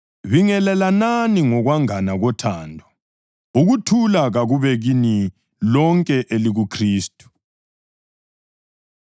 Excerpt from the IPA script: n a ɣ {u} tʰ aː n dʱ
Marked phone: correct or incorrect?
incorrect